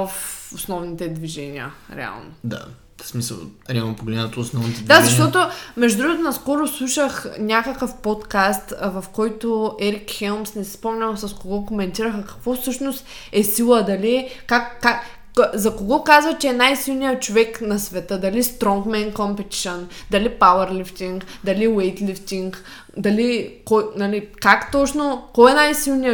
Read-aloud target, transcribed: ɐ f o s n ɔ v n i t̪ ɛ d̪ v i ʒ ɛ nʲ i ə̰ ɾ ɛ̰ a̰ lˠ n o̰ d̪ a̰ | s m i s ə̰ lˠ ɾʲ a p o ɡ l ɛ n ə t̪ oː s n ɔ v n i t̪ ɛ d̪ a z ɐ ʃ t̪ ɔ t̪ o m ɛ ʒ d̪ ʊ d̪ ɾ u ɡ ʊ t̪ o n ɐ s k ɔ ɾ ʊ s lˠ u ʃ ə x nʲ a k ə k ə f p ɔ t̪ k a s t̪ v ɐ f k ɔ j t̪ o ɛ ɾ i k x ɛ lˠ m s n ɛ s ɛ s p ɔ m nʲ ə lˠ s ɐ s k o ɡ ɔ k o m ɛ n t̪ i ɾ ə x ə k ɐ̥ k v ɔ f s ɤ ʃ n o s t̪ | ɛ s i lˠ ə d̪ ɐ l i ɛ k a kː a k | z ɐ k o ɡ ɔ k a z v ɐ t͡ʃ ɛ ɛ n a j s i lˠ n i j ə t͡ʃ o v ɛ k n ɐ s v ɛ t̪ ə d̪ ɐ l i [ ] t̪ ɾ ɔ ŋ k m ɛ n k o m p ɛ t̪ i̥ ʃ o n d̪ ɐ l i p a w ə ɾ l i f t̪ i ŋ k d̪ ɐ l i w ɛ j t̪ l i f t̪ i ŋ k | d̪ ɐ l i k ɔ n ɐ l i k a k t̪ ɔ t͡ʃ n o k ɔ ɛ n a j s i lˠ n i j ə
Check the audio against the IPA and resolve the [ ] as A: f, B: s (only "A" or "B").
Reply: B